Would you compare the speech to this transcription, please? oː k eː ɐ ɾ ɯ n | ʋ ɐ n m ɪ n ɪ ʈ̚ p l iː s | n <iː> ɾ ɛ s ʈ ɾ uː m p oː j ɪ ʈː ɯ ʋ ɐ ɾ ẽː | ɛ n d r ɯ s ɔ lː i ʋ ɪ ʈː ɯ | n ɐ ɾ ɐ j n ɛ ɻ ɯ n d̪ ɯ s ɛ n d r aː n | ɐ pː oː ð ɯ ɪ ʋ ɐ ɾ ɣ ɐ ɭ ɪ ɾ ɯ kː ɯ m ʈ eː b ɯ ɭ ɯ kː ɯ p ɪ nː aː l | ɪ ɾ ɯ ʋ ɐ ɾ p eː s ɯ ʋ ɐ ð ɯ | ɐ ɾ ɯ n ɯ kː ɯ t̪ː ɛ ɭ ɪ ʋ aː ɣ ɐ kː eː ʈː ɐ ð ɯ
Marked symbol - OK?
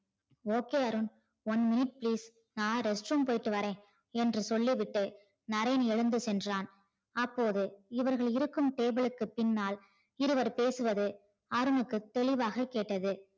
no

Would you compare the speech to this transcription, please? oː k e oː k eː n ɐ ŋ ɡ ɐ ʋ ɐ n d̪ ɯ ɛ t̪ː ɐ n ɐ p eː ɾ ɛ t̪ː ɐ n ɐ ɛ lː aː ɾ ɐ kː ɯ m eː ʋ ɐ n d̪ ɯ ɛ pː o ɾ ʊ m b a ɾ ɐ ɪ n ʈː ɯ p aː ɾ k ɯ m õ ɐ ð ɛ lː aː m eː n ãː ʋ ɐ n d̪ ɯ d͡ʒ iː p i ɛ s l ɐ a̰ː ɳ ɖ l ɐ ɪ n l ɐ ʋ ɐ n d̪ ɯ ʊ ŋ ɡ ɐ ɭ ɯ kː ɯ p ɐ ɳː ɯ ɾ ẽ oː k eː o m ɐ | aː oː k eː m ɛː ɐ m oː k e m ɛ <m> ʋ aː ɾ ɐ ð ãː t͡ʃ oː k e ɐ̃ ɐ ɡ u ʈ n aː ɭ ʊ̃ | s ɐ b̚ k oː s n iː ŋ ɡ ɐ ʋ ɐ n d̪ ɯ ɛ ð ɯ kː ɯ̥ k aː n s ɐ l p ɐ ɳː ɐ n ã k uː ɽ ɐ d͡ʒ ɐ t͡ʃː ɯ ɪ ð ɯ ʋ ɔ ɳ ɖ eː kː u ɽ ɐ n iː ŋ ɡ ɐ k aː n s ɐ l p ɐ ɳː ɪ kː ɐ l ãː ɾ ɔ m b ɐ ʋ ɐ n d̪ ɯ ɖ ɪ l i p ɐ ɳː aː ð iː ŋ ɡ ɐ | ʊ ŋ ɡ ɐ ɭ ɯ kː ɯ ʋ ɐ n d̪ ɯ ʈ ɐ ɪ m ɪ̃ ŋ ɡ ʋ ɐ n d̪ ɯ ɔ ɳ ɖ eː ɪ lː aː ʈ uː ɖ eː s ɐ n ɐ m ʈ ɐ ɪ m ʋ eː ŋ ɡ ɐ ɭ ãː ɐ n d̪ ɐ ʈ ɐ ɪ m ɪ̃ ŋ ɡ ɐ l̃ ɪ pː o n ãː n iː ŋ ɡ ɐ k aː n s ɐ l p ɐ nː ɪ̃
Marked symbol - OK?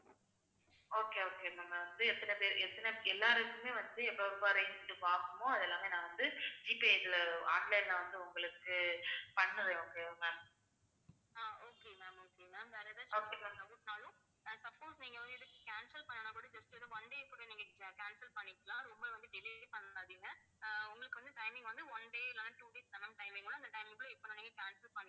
yes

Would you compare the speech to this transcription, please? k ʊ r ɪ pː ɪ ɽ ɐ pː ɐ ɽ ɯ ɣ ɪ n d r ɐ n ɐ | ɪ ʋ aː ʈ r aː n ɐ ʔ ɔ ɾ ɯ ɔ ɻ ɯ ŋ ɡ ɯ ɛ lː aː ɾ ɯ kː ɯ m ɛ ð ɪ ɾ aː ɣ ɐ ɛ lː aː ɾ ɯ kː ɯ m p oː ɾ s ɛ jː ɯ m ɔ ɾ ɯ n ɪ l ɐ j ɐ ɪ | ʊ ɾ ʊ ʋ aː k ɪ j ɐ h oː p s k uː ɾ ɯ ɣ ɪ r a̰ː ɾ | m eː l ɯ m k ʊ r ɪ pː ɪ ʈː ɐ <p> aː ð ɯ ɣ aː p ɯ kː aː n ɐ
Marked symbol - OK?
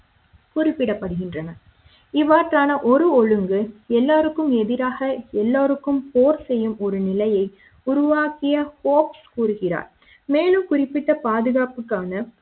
yes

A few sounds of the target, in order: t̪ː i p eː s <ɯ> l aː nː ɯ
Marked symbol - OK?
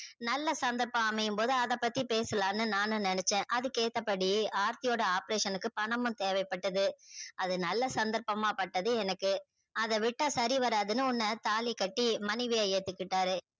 yes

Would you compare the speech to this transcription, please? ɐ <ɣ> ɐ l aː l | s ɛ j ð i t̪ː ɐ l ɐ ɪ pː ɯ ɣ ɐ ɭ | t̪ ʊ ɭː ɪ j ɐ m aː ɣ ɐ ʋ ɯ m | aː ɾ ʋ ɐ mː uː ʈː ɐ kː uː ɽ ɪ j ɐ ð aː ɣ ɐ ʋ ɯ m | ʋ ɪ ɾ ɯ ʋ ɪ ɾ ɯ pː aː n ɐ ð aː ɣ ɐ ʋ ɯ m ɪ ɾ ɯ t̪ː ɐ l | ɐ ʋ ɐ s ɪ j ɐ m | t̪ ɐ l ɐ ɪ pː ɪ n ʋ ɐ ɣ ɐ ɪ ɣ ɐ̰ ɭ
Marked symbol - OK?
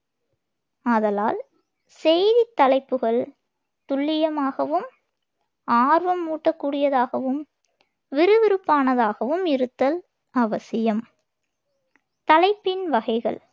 no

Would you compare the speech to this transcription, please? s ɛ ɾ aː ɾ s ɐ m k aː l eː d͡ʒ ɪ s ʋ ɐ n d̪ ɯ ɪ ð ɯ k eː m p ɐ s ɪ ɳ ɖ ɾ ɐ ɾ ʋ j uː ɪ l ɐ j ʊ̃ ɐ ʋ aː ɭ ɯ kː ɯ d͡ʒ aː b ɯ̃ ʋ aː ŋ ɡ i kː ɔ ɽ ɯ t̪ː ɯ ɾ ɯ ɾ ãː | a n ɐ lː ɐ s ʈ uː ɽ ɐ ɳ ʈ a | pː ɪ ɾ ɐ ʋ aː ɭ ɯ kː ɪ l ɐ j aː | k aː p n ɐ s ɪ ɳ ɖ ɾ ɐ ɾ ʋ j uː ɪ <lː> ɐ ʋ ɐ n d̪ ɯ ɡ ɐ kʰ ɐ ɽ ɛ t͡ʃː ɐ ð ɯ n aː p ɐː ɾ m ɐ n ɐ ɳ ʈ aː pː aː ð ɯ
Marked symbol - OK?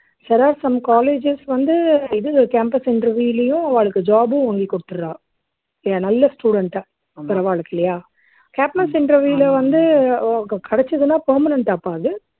no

